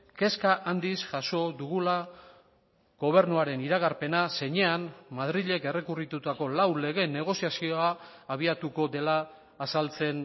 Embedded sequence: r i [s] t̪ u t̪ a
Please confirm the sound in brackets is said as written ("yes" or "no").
no